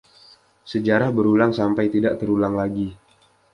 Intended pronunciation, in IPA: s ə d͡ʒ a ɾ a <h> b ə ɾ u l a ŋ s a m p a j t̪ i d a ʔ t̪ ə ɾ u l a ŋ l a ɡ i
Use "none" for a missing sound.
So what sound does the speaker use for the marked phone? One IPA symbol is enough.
h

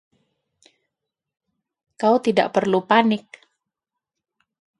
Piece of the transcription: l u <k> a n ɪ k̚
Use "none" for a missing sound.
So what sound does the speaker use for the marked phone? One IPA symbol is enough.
p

